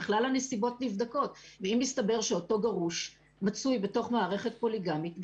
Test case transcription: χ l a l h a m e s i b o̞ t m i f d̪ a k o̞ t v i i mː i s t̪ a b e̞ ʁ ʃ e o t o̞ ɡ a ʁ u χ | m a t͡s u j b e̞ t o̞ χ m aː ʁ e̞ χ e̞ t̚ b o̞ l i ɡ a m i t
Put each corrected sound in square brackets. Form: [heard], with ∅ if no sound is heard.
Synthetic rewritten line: χ l a l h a [n] e s i b o̞ t [n] i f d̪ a k o̞ t v [e] i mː i s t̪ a b e̞ ʁ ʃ e o t o̞ ɡ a ʁ u [ʃ] | m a t͡s u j b e̞ t o̞ χ m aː ʁ e̞ χ e̞ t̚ [p] o̞ l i ɡ a m i t